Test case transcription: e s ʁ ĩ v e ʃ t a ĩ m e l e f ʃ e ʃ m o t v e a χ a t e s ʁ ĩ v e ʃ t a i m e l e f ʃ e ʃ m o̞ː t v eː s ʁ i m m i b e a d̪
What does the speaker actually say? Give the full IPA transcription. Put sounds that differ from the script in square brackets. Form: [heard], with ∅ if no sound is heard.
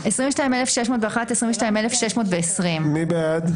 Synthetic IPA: e s ʁ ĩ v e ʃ t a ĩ m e l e f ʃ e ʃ m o t v e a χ a t e s ʁ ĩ v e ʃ t a i m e l e f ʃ e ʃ m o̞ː t v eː s ʁ i m m i b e a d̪